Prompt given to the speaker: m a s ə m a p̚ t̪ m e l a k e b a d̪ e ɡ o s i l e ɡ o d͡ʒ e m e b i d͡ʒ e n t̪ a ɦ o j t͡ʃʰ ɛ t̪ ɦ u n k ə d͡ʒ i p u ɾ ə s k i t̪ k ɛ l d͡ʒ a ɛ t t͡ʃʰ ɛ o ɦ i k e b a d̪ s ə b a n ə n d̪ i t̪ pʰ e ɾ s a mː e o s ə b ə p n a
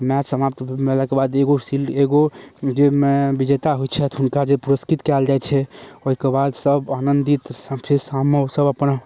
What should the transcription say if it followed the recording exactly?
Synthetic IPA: m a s ə m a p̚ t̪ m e l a k e b a d̪ e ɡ o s i l e ɡ o d͡ʒ e m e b i d͡ʒ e t̪ a ɦ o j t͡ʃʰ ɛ t̪ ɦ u n k a d͡ʒ e p u ɾ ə s k i t̪ k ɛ l d͡ʒ a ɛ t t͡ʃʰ ɛ o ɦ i k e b a d̪ s ə b a n ə n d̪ i t̪ pʰ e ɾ s a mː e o s ə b ə p n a

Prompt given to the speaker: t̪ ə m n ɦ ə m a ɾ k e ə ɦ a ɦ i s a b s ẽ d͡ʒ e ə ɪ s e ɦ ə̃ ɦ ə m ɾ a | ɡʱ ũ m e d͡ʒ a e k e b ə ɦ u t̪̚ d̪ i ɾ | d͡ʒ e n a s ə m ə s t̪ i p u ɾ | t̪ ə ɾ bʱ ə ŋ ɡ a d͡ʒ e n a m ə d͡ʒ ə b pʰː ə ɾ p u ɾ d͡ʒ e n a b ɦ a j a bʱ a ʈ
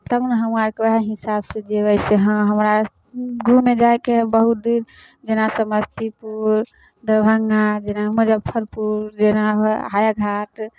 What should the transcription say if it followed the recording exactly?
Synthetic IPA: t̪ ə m n ɦ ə m a ɾ k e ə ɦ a ɦ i s a b s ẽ d͡ʒ e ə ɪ s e ɦ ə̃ ɦ ə m ɾ a | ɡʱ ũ m e d͡ʒ a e k e b ə ɦ u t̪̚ d̪ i ɾ | d͡ʒ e n a s ə m ə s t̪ i p u ɾ | d̪ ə ɾ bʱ ə ŋ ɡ a d͡ʒ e n a m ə d͡ʒ ə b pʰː ə ɾ p u ɾ d͡ʒ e n a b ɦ a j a ɡʱ a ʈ

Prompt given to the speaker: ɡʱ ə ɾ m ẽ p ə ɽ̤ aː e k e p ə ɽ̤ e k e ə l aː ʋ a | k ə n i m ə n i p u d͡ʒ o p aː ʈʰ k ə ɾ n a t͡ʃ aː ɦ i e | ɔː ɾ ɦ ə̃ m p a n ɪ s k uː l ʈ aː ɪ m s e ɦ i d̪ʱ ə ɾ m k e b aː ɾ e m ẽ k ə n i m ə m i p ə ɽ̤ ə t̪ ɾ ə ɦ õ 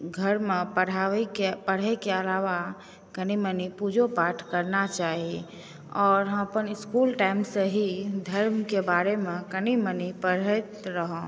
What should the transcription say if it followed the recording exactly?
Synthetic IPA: ɡʱ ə ɾ m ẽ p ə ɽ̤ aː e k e p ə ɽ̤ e k e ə l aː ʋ a | k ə n i m ə n i p u d͡ʒ o p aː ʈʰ k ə ɾ n a t͡ʃ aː ɦ i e | ɔː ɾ ɦ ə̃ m p ə n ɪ s k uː l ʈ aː ɪ m s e ɦ i d̪ʱ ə ɾ m k e b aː ɾ e m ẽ k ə n i m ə n i p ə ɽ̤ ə t̪ ɾ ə ɦ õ

